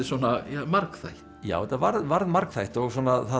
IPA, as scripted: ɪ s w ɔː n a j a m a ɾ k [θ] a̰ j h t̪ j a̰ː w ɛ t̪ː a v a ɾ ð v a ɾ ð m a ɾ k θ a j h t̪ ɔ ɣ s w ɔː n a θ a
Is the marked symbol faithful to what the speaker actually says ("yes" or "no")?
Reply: yes